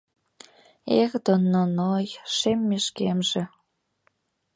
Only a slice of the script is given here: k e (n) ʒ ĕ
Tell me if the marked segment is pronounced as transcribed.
no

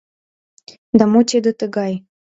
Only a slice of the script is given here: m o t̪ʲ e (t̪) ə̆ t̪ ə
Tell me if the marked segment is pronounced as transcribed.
no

